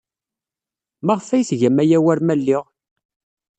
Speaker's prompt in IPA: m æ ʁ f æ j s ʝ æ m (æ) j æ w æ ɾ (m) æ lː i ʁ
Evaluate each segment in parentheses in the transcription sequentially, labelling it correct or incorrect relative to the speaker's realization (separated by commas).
correct, correct